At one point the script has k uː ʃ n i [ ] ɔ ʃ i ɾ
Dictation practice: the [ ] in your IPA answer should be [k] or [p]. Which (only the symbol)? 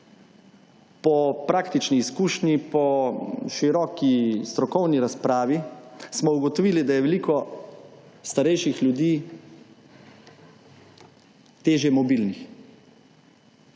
p